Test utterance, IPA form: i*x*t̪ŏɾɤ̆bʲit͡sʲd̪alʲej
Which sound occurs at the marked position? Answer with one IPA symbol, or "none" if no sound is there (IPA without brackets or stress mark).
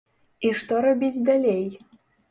ʃ